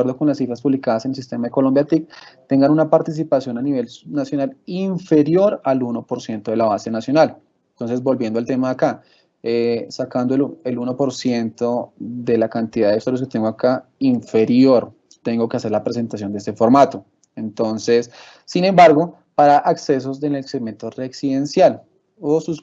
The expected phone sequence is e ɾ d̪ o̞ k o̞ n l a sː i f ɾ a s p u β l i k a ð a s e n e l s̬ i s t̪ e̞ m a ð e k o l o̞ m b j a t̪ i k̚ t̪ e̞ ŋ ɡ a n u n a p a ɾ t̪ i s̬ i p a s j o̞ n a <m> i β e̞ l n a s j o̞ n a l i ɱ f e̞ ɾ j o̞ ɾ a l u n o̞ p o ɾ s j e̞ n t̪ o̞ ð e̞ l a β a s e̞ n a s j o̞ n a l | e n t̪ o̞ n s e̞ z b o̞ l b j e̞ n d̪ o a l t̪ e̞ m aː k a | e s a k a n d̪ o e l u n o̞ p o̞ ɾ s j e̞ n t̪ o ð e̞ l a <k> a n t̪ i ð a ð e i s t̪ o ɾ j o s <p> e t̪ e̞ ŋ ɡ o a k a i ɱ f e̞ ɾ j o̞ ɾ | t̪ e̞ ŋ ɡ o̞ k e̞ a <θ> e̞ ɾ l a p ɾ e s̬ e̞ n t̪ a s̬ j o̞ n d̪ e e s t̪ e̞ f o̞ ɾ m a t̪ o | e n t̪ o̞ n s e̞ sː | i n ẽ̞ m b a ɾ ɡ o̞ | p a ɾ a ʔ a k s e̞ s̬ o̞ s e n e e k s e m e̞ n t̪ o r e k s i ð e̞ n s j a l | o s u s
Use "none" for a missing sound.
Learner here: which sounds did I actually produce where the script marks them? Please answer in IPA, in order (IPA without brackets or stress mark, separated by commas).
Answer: n, k, k, s